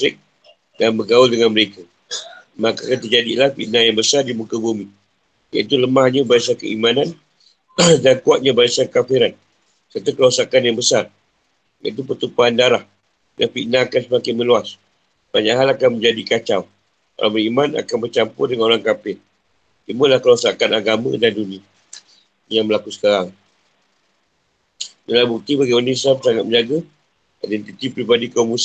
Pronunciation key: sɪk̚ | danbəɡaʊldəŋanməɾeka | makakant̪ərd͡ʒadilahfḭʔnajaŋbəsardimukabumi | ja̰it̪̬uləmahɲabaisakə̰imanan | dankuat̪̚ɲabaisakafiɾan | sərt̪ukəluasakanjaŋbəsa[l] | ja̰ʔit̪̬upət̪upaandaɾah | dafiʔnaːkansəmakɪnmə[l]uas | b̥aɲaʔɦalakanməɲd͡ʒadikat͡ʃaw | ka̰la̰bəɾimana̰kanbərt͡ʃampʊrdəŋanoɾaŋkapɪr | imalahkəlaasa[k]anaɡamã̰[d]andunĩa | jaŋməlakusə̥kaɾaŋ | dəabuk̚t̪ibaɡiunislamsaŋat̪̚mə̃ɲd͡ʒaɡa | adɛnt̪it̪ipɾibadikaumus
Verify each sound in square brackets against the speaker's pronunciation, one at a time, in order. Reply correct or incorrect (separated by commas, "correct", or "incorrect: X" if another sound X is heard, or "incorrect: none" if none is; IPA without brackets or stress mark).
incorrect: r, correct, correct, correct